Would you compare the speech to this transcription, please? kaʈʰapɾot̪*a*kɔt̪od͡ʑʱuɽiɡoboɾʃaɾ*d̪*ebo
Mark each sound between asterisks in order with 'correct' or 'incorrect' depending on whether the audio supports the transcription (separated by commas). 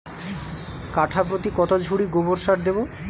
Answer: incorrect, correct